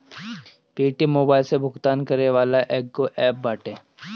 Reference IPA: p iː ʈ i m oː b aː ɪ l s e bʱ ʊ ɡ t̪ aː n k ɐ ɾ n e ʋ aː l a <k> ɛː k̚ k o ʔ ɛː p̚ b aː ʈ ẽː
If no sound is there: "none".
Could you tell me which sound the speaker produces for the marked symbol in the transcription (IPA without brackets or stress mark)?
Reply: ʔ